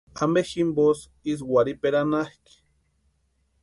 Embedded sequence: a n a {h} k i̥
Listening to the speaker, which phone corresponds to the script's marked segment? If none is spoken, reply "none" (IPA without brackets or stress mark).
h